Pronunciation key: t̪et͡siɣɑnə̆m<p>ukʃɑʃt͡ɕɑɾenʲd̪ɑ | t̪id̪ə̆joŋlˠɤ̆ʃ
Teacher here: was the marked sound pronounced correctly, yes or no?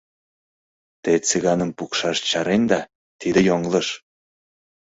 yes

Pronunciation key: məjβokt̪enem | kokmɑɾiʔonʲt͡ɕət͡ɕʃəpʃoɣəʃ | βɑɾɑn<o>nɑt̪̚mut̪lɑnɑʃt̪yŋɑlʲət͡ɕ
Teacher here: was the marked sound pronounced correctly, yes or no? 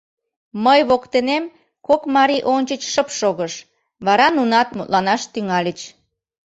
no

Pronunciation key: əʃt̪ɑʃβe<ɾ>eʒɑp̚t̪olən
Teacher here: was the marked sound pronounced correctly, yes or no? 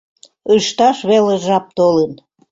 no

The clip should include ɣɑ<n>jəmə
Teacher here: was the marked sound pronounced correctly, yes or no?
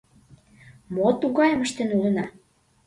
no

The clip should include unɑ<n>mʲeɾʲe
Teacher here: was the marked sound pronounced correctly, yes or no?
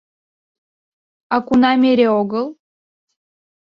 no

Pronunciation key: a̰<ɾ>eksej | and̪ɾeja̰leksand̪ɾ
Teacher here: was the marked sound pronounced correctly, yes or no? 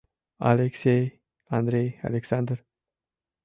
no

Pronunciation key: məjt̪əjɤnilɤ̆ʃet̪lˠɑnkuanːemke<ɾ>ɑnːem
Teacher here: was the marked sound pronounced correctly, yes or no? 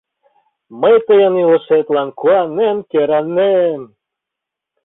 yes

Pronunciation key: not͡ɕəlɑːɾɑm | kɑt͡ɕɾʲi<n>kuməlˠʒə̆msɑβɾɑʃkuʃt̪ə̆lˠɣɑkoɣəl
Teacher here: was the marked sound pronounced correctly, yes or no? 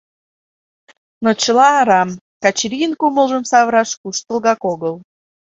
yes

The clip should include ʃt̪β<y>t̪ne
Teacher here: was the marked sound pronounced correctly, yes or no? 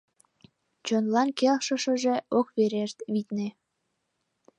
no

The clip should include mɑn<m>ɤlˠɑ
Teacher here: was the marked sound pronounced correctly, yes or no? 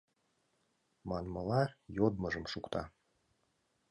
yes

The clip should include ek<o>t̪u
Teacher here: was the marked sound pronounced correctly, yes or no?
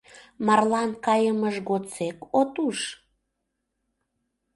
yes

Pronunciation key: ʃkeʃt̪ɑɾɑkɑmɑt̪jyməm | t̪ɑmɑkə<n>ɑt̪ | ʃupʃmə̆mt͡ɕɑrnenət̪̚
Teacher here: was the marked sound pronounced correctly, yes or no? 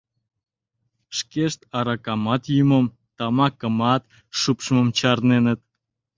no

